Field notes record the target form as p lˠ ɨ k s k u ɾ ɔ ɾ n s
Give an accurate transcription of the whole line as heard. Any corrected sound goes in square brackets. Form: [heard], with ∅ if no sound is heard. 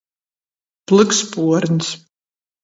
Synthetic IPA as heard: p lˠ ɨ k s [p] u [∅] ɔ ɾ n s